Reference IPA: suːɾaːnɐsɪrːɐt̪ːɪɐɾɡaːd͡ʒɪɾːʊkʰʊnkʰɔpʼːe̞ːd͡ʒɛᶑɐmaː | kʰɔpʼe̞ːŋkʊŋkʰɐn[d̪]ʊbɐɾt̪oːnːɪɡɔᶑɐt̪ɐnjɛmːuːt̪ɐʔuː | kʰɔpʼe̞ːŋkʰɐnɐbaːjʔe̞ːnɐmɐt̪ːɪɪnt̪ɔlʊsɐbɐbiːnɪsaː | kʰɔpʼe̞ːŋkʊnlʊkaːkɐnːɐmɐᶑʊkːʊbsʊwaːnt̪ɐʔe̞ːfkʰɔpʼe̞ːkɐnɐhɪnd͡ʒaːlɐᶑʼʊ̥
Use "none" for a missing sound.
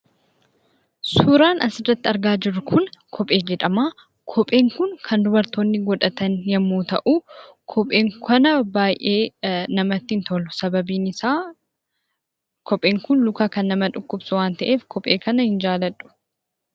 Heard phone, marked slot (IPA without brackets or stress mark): d̪